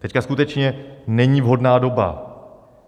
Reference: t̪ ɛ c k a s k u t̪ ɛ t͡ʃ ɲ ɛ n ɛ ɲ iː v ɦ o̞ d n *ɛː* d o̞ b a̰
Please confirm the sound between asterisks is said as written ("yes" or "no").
no